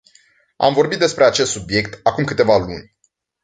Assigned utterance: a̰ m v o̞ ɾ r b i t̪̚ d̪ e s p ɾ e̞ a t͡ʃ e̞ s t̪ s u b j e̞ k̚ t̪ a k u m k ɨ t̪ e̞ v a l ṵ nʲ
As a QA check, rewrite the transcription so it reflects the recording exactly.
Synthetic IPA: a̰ m v o̞ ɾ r b i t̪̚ d̪ e s p ɾ e̞ a t͡ʃ e̞ s t̪ s u b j e̞ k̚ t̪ a k u m k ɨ t̪ e̞ v a l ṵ nʲ